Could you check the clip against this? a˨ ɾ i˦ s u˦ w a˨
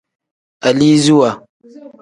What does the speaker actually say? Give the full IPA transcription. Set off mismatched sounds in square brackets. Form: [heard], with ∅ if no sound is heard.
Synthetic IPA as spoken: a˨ [l] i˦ [z] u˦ w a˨